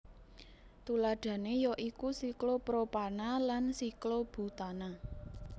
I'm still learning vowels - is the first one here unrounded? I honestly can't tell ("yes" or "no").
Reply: no